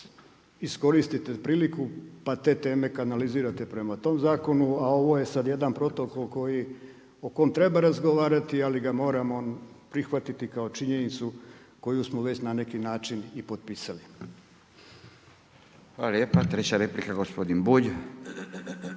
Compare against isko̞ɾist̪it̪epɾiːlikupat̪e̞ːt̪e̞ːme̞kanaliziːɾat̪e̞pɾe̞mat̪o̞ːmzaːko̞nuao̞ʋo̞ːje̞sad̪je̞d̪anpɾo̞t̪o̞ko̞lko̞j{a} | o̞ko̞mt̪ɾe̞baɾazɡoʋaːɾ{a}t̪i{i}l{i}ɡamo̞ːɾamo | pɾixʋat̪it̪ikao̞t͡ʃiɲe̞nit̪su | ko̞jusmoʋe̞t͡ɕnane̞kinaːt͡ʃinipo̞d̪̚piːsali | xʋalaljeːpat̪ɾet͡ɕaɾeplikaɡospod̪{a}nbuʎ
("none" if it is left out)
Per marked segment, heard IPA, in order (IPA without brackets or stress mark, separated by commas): i, a, a, i, i